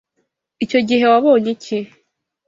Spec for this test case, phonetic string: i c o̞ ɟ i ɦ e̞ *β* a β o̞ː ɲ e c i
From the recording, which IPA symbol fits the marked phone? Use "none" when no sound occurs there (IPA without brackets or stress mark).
w